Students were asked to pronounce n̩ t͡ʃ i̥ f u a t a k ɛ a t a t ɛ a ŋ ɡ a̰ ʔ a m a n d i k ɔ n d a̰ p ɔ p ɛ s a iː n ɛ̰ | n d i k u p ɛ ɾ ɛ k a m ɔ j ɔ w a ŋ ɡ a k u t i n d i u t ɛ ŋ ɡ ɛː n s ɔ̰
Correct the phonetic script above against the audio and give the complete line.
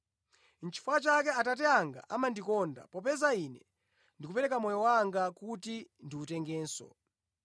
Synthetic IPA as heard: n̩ t͡ʃ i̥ f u a t͡ʃ a k ɛ a t a t ɛ a ŋ ɡ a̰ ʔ a m a n d i k ɔ n d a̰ p ɔ p ɛ z a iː n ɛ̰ | n d i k u p ɛ ɾ ɛ k a m ɔ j ɔ w a ŋ ɡ a k u t i n d i u t ɛ ŋ ɡ ɛː n s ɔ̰